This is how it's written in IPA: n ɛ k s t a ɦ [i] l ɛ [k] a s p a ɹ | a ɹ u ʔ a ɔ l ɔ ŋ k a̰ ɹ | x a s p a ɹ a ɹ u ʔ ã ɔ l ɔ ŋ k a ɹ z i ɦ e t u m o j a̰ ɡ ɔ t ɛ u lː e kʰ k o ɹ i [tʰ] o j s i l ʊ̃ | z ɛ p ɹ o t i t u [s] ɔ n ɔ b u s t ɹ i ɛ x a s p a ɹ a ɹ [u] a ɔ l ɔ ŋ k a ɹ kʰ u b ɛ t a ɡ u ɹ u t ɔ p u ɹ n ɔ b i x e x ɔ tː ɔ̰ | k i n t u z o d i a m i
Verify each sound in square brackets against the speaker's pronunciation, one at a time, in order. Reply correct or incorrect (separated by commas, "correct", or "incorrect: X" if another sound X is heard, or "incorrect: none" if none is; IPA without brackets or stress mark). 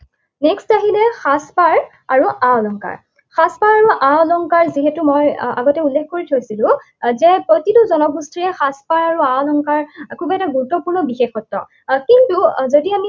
correct, incorrect: x, correct, incorrect: z, correct